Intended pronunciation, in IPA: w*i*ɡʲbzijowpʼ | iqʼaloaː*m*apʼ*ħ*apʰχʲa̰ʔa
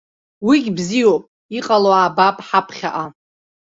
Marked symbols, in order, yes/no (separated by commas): yes, no, yes